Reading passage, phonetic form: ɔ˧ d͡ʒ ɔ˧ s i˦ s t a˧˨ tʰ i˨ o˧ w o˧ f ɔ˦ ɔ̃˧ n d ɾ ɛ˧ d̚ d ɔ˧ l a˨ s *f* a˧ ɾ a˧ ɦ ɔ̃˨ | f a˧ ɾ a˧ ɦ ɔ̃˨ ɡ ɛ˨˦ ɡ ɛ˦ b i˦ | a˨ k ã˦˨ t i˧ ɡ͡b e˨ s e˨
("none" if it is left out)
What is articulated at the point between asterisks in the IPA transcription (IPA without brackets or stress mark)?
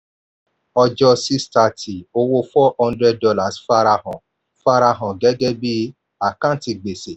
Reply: f